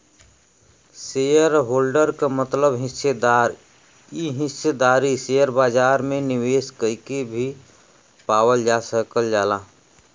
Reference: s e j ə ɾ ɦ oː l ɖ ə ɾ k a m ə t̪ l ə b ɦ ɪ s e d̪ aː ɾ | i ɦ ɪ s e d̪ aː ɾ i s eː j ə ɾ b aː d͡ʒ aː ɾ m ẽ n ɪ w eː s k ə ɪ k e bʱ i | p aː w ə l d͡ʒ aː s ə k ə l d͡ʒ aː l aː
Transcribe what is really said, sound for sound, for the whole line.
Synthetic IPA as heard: s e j ə ɾ ɦ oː l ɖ ə ɾ k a m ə t̪ l ə b ɦ ɪ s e d̪ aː ɾ | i ɦ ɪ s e d̪ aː ɾ i s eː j ə ɾ b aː d͡ʒ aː ɾ m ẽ n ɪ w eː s k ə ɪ k e bʱ i | p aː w ə l d͡ʒ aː s ə k ə l d͡ʒ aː l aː